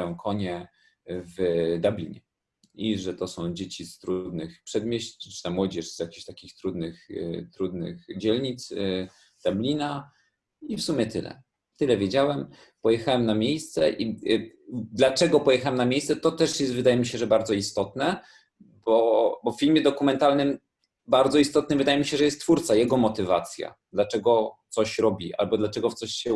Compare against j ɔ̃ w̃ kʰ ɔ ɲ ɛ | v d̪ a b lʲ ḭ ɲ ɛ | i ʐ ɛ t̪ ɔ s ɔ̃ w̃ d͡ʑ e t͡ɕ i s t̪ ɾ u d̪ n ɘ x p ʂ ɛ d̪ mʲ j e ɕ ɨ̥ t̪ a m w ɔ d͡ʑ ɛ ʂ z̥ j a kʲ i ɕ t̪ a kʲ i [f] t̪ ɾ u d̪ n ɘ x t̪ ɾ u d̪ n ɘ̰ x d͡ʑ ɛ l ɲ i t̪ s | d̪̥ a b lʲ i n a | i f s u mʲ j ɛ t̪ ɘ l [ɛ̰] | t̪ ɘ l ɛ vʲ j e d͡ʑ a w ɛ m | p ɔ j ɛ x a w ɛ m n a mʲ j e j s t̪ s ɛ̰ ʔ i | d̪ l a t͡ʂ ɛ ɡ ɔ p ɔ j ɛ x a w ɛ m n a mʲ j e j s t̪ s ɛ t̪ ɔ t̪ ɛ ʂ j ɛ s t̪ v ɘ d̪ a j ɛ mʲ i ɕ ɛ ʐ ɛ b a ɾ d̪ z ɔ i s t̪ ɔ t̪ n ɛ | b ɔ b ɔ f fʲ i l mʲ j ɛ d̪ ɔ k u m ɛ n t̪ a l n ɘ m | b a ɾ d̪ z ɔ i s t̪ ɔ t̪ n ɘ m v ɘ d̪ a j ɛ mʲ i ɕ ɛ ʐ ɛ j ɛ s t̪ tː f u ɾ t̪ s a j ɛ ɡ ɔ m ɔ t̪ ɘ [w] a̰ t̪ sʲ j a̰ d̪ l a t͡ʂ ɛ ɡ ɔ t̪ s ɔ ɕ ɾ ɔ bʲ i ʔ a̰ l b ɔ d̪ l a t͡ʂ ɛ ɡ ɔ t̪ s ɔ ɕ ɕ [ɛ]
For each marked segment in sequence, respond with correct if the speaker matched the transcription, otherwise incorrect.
incorrect: x, correct, incorrect: v, correct

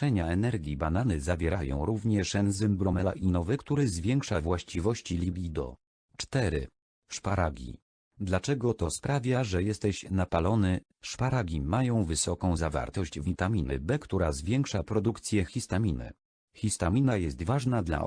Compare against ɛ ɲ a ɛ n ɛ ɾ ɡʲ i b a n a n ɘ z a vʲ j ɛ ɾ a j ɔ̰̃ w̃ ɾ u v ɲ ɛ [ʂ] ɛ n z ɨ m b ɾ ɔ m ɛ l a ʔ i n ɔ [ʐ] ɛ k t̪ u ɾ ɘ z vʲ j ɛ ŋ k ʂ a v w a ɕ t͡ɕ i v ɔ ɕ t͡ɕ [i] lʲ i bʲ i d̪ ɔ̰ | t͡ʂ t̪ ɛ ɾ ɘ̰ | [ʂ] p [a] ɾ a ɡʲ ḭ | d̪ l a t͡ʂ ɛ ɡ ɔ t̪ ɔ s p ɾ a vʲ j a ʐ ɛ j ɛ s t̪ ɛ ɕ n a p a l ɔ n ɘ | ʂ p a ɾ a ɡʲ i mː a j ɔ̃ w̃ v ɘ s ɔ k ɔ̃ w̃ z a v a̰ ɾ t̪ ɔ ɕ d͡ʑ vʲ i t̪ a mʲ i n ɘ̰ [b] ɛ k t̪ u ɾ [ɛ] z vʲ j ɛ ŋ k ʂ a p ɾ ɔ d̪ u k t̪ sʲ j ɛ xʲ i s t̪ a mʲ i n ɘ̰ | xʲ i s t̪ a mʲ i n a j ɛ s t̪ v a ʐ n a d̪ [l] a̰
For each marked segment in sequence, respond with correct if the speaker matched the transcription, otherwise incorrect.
correct, incorrect: v, correct, correct, correct, correct, incorrect: a, correct

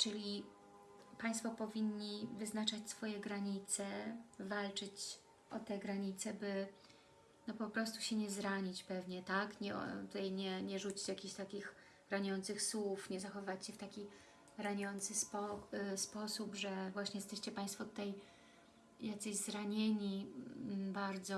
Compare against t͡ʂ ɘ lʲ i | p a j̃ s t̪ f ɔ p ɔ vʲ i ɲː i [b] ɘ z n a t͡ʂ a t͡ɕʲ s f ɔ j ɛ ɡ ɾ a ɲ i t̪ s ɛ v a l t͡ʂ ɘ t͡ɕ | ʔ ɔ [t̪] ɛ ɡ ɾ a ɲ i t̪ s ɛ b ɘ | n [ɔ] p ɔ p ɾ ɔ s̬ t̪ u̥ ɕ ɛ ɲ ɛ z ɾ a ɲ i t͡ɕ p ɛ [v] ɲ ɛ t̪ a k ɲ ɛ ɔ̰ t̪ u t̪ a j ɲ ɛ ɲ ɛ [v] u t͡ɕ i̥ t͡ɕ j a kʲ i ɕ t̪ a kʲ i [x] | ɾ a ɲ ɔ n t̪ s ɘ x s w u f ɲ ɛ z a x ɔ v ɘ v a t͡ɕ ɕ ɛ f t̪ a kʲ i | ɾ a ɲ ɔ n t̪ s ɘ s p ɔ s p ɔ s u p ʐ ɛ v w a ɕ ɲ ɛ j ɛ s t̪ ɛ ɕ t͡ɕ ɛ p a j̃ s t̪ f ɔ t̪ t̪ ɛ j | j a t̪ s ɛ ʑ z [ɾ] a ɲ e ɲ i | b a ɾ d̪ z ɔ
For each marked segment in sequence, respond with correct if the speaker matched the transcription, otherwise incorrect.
incorrect: v, correct, correct, correct, incorrect: ʐ, correct, correct

